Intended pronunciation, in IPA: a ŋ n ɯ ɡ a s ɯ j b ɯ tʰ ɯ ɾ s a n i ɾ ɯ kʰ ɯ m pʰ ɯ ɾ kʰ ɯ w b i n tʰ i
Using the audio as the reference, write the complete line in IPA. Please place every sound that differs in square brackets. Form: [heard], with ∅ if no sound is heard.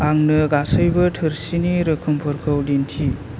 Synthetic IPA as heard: a ŋ n ɯ ɡ a s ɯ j b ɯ tʰ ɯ ɾ s [i] n i ɾ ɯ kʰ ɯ m pʰ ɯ ɾ kʰ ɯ w [d] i n tʰ i